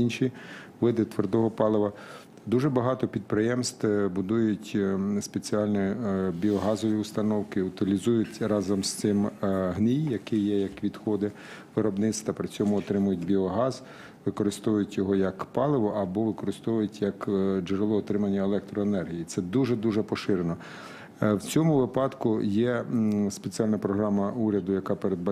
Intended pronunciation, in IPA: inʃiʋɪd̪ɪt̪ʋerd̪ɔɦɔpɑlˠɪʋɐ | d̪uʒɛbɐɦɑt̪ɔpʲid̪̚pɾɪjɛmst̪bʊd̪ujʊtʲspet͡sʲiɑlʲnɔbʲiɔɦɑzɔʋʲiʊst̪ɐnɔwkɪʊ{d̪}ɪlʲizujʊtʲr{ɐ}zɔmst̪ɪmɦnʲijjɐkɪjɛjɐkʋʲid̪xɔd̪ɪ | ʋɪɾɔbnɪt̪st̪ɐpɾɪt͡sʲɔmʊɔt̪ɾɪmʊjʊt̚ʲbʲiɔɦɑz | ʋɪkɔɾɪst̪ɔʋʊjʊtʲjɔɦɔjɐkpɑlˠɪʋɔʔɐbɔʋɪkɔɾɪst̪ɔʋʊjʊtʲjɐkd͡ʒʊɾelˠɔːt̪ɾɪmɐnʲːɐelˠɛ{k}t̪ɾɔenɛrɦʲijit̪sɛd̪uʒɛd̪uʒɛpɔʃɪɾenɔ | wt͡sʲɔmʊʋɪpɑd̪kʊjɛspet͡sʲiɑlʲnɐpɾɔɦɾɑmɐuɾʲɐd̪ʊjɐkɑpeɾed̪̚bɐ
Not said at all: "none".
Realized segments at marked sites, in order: t̪, ɑ, k

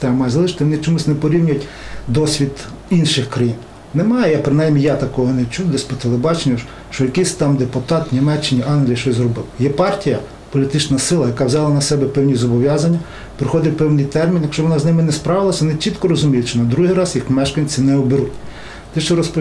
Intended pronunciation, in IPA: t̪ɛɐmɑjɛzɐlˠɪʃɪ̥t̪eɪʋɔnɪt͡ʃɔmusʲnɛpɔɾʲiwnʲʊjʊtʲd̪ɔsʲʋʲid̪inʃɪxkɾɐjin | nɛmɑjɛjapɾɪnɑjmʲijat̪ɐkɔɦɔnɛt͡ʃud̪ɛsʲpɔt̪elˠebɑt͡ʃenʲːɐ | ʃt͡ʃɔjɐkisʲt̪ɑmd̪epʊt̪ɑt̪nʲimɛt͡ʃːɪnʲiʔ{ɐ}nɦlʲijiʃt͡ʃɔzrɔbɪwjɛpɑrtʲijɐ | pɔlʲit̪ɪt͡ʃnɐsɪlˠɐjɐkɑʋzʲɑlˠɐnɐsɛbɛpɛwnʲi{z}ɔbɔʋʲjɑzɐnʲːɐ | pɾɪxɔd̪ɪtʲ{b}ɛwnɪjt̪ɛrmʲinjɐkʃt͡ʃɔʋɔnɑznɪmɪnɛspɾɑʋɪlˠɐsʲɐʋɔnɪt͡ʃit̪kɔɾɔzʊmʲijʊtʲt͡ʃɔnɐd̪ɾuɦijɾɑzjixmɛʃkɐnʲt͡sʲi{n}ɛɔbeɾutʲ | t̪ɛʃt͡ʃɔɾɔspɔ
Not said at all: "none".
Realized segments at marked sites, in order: ɑ, z, p, n

